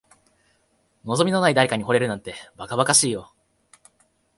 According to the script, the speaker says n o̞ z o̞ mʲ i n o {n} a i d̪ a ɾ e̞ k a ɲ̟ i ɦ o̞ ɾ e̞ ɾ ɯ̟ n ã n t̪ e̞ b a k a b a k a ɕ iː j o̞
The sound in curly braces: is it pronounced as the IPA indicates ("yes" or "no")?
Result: yes